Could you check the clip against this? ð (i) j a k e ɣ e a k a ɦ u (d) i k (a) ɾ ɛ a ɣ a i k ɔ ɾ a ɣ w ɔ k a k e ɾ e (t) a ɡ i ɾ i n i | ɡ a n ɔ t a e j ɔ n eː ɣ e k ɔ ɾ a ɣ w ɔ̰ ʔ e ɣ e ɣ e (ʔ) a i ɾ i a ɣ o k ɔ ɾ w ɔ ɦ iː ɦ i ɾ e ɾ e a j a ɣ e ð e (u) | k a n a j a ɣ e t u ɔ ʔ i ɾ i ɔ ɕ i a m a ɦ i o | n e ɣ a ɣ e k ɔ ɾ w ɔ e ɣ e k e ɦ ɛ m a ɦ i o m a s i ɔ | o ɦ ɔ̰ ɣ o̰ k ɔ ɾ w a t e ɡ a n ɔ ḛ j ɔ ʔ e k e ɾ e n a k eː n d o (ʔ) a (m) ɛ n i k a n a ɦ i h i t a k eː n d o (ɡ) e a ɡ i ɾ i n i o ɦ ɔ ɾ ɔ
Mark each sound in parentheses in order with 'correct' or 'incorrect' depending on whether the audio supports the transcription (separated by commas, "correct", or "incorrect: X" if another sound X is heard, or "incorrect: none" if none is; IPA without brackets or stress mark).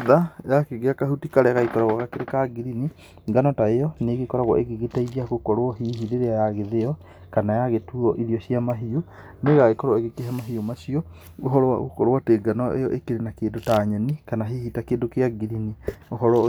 incorrect: a, incorrect: t, correct, incorrect: k, incorrect: t, incorrect: ɔ, incorrect: t, incorrect: ɲ, incorrect: k